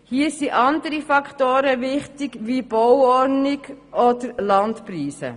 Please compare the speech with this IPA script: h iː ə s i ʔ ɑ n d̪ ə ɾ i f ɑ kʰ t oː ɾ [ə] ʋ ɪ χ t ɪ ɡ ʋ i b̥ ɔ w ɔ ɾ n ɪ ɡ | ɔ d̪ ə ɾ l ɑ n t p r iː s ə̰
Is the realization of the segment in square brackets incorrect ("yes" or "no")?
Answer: no